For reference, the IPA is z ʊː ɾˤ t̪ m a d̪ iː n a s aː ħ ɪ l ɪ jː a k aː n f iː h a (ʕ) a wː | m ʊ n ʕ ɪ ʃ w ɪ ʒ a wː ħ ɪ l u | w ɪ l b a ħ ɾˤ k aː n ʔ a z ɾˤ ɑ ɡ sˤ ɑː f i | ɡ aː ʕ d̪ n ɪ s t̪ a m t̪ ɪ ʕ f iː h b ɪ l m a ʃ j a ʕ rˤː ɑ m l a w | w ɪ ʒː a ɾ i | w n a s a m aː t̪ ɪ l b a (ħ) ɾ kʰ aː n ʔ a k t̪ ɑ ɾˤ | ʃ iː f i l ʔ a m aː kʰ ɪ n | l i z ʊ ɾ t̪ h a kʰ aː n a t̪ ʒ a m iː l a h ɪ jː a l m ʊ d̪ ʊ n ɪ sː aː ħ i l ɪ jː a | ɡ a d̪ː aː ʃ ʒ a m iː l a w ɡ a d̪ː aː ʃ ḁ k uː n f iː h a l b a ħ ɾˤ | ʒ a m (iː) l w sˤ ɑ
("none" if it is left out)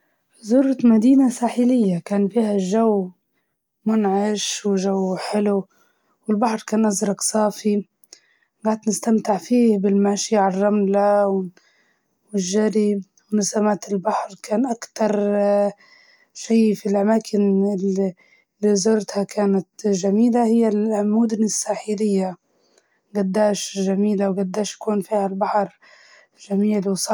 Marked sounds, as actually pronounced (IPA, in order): ʒ, ħ, iː

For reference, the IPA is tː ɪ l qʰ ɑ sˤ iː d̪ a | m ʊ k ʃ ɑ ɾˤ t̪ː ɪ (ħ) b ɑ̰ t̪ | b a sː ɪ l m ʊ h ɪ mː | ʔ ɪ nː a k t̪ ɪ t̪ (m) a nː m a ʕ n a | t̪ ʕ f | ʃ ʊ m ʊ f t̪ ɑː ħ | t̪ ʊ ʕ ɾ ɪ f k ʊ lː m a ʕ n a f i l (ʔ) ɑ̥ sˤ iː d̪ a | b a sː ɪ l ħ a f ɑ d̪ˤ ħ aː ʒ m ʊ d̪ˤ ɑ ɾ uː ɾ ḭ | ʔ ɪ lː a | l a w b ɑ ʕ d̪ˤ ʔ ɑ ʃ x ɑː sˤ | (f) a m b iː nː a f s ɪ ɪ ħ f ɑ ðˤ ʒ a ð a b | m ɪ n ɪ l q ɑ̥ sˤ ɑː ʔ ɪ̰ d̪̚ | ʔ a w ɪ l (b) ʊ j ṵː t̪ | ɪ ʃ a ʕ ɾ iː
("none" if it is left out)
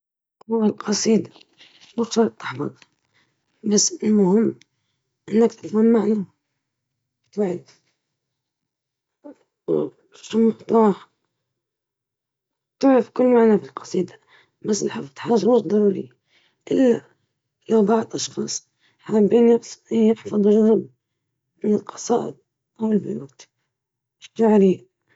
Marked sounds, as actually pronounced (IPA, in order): ħ, m, q, ħ, b

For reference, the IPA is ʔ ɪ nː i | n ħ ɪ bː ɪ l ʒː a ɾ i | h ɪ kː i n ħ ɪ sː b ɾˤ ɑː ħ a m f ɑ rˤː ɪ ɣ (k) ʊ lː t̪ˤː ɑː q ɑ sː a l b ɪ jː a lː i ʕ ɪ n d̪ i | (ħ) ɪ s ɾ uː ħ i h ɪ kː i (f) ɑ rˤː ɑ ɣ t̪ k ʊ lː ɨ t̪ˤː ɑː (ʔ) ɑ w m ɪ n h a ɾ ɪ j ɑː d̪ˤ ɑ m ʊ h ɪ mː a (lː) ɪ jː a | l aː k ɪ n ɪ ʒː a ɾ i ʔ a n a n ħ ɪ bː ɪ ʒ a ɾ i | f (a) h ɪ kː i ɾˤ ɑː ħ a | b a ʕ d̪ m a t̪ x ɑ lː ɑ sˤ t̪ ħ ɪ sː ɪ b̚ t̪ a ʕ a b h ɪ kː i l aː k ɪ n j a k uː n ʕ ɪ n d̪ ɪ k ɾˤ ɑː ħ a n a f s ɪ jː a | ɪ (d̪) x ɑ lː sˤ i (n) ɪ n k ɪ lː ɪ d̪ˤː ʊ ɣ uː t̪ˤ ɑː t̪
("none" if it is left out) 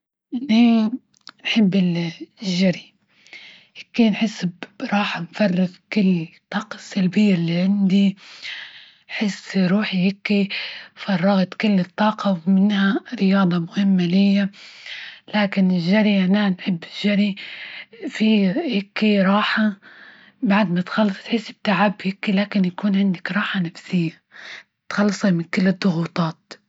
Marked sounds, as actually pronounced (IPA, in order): k, ħ, f, q, l, i, t̪, m

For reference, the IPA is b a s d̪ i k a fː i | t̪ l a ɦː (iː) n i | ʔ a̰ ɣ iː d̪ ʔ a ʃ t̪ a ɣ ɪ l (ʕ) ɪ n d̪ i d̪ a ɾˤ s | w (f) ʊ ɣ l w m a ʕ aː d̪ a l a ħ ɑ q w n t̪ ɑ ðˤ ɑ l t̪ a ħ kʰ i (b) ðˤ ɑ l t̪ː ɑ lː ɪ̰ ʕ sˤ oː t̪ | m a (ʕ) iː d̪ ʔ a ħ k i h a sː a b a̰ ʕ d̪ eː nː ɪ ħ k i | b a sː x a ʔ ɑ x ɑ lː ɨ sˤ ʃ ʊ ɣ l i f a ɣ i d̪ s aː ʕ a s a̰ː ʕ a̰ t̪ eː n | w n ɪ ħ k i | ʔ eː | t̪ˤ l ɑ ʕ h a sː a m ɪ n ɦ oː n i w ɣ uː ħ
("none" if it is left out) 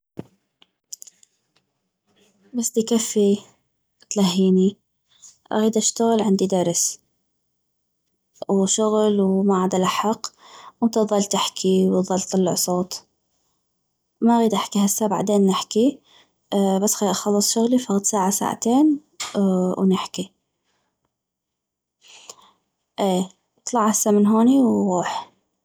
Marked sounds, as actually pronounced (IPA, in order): iː, ʕ, ʃ, w, ɣ

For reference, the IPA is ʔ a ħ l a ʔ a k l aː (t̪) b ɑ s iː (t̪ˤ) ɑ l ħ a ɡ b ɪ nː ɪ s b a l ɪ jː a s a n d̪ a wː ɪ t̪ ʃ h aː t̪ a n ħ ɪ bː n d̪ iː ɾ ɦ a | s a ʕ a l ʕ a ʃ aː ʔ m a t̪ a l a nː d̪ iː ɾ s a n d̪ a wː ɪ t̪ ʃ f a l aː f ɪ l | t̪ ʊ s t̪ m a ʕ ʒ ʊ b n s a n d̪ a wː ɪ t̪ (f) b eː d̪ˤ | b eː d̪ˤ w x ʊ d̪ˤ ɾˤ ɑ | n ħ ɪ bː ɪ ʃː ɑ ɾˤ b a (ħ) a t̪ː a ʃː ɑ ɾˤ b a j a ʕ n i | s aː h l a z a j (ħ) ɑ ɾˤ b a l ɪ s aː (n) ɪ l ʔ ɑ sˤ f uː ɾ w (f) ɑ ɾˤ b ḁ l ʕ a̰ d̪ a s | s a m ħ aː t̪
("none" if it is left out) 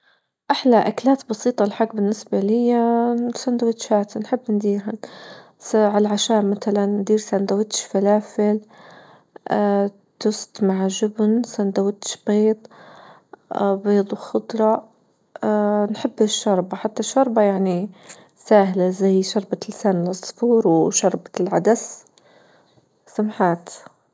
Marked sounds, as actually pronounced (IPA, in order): t̪, t̪ˤ, ʃ, ħ, ʃ, n, ʃ

